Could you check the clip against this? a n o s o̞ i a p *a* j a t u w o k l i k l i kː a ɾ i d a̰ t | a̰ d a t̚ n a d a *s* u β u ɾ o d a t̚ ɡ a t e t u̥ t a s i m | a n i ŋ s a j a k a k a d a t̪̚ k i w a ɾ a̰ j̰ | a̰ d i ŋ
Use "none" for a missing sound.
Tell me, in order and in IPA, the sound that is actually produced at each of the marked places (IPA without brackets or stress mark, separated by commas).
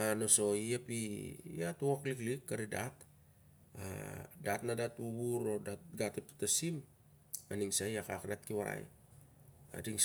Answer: i, t